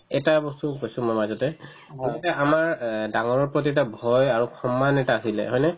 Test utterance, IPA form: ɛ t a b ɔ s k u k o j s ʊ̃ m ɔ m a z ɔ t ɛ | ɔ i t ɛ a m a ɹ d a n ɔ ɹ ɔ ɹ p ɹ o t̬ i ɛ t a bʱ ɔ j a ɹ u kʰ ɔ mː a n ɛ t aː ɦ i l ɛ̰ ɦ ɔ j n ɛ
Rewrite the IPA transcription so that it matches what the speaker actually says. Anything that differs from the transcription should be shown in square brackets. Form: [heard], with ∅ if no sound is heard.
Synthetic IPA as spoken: ɛ t a b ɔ s [t] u k o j s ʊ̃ m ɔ m a z ɔ t ɛ | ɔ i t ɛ a m a ɹ d a [ŋ] ɔ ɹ ɔ ɹ p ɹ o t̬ i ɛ t a bʱ ɔ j a ɹ u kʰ ɔ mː a n ɛ t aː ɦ i l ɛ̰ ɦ ɔ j n ɛ

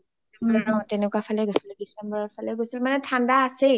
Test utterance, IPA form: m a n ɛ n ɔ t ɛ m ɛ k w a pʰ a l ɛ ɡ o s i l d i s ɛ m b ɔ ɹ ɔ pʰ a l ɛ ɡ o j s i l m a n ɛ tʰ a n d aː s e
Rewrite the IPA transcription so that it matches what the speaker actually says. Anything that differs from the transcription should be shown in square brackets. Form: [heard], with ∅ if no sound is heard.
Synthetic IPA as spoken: m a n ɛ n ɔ t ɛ [n] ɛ k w a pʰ a l ɛ ɡ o s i l d i s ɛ m b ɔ ɹ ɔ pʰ a l ɛ ɡ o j s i l m a n ɛ tʰ a n d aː s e

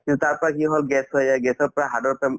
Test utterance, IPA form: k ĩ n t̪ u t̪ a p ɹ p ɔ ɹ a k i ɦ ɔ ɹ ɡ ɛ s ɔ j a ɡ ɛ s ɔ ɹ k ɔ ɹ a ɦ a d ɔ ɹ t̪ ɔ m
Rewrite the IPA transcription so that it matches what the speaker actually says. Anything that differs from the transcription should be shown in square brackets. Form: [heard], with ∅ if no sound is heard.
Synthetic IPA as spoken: k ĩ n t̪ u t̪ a [∅] ɹ p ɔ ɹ a k i ɦ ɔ [l] ɡ ɛ s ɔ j a ɡ ɛ s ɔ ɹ [p] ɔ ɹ a ɦ a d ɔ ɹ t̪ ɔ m

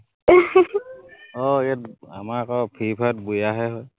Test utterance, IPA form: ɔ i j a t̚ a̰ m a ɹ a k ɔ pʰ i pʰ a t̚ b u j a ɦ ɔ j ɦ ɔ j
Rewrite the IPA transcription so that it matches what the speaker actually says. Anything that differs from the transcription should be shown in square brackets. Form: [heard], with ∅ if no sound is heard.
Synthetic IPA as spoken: ɔ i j a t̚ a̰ m a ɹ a k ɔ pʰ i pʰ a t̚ b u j a ɦ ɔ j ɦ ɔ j

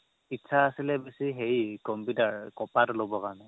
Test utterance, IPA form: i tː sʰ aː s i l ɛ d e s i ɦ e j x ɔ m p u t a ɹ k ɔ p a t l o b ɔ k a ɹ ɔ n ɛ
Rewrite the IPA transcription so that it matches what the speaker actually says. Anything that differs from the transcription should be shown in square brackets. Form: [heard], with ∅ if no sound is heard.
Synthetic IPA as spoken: i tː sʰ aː s i l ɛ [b] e s i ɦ e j [k] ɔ m p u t a ɹ k ɔ p a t l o b ɔ k a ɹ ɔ n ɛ

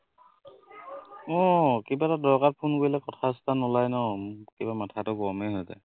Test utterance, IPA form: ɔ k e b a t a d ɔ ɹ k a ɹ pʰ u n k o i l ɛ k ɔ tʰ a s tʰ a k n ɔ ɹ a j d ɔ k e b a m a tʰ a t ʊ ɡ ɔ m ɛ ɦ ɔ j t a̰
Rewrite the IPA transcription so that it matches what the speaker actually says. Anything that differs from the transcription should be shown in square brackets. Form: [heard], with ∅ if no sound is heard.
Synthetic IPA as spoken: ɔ k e b a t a d ɔ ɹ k a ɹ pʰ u n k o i l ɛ k ɔ tʰ a s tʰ a [∅] n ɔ [l] a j [n] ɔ k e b a m a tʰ a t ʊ ɡ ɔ m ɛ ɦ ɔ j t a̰

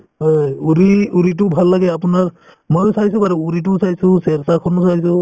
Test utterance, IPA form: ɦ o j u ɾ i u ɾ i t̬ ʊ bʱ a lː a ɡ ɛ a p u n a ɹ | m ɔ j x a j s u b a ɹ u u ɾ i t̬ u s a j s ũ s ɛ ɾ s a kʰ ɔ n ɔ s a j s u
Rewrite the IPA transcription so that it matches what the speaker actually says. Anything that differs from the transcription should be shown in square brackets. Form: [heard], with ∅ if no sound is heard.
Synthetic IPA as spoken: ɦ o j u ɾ i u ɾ i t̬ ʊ bʱ a lː a ɡ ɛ a p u n a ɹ | m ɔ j [s] a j s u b a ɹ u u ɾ i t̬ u s a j s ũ s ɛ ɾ s a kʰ ɔ n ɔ s a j s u

